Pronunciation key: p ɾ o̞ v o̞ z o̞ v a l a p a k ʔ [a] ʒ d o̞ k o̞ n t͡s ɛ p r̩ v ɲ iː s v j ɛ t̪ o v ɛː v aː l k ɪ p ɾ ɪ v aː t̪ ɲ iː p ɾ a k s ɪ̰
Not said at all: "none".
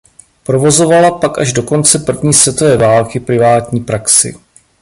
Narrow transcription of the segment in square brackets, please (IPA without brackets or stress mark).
a